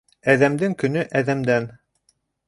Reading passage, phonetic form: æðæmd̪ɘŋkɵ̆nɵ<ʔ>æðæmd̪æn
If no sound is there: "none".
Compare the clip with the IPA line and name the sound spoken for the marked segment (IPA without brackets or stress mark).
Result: ʔ